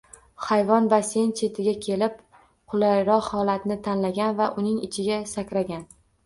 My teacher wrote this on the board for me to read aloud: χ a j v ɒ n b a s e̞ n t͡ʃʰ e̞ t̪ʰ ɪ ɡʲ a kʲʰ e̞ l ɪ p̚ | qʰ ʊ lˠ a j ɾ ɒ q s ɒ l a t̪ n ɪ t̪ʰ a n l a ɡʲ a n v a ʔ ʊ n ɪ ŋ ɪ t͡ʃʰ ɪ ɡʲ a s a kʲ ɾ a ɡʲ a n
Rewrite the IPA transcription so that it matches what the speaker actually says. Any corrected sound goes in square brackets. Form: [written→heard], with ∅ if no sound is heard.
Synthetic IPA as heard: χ a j v ɒ n b a s e̞ n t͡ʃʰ e̞ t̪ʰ ɪ ɡʲ a kʲʰ e̞ l ɪ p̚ | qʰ ʊ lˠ a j ɾ ɒ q [s→h] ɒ l a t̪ n ɪ t̪ʰ a n l a ɡʲ a n v a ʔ ʊ n ɪ ŋ ɪ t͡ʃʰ ɪ ɡʲ a s a kʲ ɾ a ɡʲ a n